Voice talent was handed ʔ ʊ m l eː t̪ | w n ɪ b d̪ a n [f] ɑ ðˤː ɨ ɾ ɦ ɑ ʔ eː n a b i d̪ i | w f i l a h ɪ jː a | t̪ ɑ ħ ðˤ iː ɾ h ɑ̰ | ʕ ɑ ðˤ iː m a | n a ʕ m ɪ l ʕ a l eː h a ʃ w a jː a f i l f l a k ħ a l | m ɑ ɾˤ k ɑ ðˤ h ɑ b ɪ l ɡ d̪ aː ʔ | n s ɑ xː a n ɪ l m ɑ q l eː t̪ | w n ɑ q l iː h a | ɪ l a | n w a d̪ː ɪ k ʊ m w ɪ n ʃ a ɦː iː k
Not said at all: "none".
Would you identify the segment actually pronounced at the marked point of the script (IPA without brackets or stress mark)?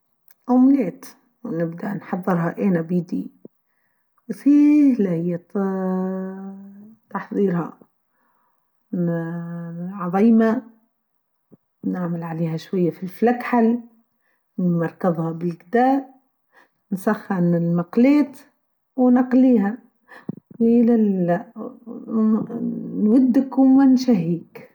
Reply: ħ